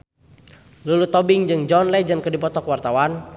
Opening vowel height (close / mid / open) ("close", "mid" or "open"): close